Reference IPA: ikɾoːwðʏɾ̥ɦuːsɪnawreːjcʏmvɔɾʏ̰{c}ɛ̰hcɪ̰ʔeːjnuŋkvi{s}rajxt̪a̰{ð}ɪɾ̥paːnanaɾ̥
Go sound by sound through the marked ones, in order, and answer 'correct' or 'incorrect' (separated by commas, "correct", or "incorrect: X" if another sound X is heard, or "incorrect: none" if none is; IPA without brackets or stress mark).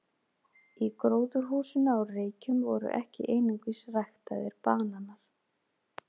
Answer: incorrect: ʔ, correct, correct